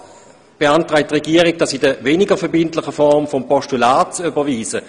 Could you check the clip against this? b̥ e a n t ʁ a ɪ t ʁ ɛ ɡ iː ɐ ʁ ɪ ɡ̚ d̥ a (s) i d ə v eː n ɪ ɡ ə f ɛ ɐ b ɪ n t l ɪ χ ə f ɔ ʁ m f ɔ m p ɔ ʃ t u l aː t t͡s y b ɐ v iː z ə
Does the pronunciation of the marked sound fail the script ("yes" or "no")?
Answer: no